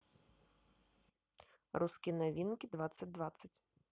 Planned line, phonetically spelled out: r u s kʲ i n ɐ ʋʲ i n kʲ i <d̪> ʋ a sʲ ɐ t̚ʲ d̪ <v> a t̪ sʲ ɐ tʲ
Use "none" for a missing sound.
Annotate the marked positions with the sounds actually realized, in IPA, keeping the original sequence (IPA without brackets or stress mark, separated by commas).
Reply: d̪, ʋ